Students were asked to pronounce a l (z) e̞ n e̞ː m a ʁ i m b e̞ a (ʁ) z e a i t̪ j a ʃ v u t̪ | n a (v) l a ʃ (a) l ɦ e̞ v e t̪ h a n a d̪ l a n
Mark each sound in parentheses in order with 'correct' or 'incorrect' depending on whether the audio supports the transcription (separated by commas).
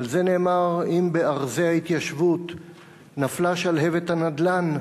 correct, correct, incorrect, correct